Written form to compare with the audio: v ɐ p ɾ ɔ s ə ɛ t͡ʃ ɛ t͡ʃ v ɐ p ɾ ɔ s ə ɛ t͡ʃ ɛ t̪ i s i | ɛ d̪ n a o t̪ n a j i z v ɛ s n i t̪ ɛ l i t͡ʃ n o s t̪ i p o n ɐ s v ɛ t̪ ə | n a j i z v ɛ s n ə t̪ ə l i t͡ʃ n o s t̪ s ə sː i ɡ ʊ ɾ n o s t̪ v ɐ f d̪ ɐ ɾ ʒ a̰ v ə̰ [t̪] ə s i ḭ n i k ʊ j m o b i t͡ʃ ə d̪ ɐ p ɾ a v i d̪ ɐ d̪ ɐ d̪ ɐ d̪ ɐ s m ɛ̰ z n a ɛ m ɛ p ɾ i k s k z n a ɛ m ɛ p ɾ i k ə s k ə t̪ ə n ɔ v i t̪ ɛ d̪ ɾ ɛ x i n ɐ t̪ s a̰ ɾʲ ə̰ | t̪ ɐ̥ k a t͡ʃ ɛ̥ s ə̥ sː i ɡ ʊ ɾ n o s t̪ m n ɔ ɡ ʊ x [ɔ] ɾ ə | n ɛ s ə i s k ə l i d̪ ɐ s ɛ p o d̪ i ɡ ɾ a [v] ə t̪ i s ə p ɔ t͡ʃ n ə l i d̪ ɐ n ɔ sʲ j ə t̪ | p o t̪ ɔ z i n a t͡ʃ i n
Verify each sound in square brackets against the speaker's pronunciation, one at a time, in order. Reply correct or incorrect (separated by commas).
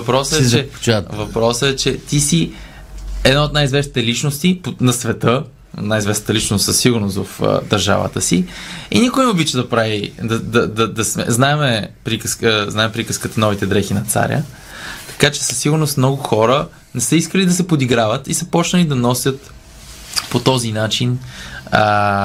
correct, correct, correct